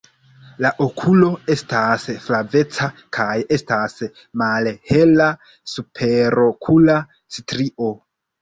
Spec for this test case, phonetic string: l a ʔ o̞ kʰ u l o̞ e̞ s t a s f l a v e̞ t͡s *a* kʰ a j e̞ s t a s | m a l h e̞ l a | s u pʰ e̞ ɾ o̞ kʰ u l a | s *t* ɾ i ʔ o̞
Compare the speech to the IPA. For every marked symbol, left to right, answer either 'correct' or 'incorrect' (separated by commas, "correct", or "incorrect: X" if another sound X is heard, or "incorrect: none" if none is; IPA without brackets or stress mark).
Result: correct, correct